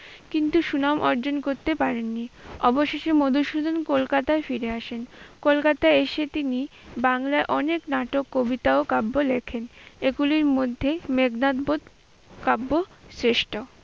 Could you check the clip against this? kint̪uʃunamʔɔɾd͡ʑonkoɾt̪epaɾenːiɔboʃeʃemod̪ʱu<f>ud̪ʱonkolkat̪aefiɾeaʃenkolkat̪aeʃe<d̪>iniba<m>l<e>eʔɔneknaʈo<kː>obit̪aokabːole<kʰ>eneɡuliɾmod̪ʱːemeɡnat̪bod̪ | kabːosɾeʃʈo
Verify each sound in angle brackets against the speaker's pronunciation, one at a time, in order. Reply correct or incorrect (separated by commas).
incorrect, incorrect, incorrect, incorrect, correct, correct